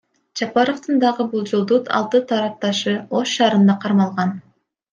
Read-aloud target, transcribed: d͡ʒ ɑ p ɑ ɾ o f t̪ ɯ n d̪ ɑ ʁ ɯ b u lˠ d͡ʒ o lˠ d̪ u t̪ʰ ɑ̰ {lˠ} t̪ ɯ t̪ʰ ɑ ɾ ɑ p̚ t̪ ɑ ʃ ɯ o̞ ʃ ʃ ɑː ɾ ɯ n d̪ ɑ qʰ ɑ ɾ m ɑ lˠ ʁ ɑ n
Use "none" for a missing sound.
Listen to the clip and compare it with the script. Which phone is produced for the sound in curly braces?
lˠ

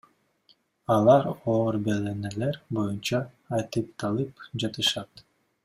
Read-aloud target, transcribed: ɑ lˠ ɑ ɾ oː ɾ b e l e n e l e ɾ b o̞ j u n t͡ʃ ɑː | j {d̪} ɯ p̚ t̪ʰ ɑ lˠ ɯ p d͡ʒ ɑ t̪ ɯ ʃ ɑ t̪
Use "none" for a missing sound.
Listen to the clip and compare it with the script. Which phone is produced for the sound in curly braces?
t̪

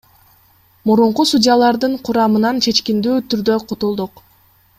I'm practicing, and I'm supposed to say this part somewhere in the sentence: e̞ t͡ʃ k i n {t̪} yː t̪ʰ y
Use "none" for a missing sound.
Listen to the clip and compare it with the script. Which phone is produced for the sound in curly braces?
d̪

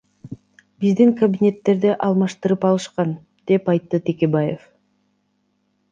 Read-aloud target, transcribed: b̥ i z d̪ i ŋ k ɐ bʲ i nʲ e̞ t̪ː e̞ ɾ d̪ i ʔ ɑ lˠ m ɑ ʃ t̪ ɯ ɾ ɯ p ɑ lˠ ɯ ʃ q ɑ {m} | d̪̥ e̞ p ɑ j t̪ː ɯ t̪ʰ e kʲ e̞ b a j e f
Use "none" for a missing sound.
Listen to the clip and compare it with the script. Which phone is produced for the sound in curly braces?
n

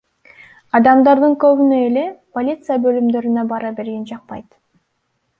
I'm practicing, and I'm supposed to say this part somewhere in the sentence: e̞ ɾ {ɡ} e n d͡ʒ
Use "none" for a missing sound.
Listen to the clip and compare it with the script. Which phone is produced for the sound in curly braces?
ɡ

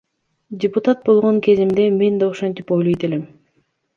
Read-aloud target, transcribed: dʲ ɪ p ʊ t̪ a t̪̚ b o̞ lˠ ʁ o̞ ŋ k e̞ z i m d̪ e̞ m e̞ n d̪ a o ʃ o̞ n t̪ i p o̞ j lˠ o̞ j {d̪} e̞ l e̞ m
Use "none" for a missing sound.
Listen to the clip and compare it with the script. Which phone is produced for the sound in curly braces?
t̪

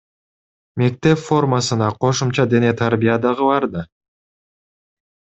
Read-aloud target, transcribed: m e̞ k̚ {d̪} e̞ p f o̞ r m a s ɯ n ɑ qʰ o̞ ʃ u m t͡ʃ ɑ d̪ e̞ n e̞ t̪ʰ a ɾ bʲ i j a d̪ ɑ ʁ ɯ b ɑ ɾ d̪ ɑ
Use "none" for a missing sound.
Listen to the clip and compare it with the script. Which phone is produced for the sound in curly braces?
t̪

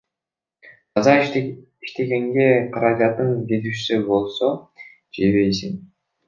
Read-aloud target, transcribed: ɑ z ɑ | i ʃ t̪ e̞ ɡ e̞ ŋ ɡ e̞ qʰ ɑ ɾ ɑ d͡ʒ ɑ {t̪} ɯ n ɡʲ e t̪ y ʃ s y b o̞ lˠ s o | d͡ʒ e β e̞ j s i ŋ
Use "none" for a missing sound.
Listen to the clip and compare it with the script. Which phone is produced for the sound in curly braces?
t̪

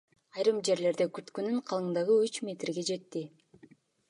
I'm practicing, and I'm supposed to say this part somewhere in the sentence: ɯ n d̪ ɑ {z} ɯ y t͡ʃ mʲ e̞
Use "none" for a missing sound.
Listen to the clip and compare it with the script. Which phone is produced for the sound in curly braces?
ʁ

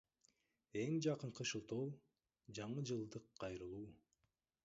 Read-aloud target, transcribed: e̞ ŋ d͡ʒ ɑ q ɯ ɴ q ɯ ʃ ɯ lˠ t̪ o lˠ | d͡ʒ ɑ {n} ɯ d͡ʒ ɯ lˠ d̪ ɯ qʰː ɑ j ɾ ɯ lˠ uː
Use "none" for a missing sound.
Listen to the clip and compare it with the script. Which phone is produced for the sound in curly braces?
ɴ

